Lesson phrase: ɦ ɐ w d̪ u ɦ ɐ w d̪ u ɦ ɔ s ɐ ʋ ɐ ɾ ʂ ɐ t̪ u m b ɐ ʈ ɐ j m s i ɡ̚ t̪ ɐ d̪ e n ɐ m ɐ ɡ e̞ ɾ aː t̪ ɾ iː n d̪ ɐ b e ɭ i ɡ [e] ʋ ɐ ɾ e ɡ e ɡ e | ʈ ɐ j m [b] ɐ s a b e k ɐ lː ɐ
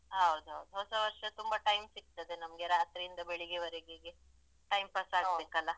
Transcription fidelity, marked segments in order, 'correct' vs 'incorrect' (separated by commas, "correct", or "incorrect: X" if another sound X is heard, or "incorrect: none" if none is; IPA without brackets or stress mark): correct, incorrect: p